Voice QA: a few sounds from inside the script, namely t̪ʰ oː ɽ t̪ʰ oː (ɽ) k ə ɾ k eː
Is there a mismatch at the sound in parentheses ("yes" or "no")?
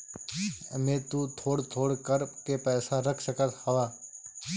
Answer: no